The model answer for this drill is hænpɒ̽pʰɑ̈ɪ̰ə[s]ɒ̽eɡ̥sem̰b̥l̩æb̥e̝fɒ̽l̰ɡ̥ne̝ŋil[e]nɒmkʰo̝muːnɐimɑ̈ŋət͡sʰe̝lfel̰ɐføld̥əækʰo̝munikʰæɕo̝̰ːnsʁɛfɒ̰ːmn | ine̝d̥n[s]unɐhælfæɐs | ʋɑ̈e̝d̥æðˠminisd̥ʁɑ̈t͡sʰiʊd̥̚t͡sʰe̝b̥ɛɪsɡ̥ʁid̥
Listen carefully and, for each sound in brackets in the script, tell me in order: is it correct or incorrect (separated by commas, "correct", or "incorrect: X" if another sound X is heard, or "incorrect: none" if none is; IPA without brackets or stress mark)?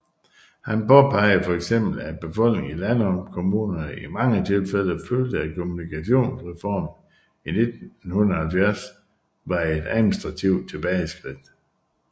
incorrect: f, incorrect: æ, incorrect: h